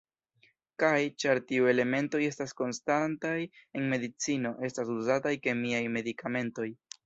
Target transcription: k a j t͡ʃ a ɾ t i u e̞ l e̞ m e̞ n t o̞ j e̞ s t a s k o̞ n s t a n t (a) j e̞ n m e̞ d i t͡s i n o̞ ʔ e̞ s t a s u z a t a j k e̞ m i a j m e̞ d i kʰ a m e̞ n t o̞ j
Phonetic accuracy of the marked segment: correct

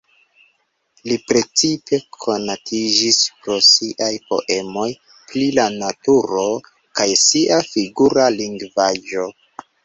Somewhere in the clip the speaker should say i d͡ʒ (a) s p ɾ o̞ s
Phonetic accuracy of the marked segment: incorrect: i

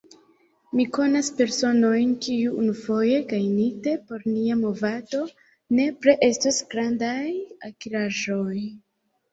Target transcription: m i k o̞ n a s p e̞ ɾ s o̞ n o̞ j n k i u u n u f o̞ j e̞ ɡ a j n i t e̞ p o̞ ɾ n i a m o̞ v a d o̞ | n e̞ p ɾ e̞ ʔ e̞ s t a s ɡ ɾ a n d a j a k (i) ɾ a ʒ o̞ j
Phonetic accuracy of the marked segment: correct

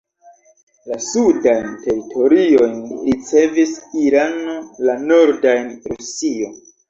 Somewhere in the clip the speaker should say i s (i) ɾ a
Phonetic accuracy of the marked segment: correct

